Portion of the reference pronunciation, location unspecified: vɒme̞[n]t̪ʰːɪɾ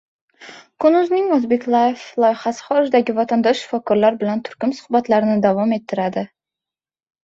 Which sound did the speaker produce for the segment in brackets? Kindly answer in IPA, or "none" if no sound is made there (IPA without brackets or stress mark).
none